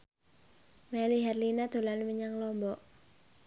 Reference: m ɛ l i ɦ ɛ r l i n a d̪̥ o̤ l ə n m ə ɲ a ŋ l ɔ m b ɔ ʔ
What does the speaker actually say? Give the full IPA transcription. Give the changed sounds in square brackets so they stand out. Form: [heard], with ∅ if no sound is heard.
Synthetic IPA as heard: m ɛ l i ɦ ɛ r l i n a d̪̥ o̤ l [a] n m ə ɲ a ŋ l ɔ m b ɔ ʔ

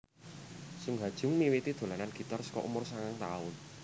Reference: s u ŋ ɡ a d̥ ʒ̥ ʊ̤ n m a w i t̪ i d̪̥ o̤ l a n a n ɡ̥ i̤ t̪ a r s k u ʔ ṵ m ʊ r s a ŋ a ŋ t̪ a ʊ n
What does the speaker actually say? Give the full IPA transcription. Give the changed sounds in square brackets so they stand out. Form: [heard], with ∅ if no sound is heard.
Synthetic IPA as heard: s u ŋ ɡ a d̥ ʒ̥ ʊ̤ [ŋ] m [i] w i t̪ i d̪̥ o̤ l a n a n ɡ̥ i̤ t̪ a r s k [ɔ] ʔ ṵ m ʊ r s a ŋ a ŋ t̪ a ʊ n

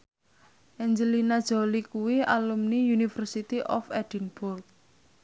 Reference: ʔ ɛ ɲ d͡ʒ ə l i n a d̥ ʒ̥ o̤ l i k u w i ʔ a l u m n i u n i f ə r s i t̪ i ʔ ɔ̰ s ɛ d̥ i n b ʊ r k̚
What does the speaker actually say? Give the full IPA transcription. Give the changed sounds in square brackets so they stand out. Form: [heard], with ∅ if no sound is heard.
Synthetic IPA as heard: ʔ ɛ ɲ d͡ʒ ə l i n a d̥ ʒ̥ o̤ l i k u w i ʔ a l u m n i u n i f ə r s i t̪ i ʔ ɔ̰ [f] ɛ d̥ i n b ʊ r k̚

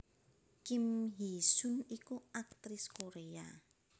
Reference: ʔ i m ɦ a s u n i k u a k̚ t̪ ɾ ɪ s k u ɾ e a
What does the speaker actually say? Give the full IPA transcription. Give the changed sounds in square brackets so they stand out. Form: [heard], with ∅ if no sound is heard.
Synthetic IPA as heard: [k] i m ɦ [i] s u n i k u a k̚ t̪ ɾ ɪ s k [o] ɾ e a

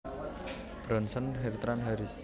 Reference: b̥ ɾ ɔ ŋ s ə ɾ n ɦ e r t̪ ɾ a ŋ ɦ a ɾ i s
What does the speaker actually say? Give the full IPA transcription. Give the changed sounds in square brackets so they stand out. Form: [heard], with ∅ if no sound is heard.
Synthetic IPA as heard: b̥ ɾ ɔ [n] s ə [∅] n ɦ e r t̪ ɾ a [n] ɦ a ɾ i s

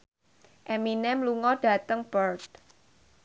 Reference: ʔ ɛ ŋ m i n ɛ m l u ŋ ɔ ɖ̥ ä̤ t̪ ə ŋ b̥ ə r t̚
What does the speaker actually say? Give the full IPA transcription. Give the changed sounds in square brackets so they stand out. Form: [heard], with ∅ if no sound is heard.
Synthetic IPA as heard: ʔ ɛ [∅] m i n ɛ m l u ŋ ɔ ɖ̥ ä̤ t̪ ə ŋ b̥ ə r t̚

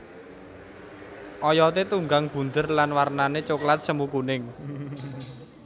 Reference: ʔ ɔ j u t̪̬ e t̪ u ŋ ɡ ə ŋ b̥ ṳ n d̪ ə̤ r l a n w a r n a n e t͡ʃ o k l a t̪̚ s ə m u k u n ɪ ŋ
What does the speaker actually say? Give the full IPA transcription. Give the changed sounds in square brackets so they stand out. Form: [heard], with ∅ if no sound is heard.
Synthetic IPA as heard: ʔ ɔ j [ɔ] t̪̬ e t̪ u ŋ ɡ [a] ŋ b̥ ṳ n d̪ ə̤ r l a n w a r n a n e t͡ʃ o k l a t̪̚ s ə m u k u n ɪ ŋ

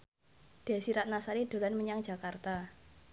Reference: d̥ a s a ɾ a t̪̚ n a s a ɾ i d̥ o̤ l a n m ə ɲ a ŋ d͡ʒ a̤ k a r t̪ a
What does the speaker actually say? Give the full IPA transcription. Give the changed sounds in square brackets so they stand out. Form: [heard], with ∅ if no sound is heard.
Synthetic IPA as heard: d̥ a s [i] ɾ a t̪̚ n a s a ɾ i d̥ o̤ l a n m ə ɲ a ŋ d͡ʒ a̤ k a r t̪ a

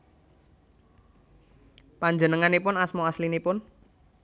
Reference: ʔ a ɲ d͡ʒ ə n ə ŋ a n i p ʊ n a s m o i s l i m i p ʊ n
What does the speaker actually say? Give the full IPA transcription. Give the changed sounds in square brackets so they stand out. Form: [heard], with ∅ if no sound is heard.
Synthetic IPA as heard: [p] a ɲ d͡ʒ ə n ə ŋ a n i p ʊ n a s m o [a] s l i [n] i p ʊ n

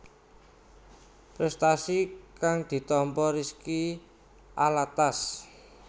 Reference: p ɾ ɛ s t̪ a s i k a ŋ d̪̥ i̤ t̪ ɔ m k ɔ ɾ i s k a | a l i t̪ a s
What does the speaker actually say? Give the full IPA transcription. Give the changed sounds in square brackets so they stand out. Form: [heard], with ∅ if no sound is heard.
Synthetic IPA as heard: p ɾ ɛ s t̪ a s i k a ŋ d̪̥ i̤ t̪ ɔ m [p] ɔ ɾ i s k [i] | a l [a] t̪ a s

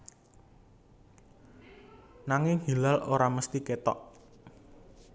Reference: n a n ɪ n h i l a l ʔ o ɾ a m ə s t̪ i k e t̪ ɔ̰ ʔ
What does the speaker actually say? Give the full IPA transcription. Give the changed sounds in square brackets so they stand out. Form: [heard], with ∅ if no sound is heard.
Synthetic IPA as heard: n a [ŋ] ɪ [ŋ] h i l a l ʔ o ɾ a m ə s t̪ i k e t̪ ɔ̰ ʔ

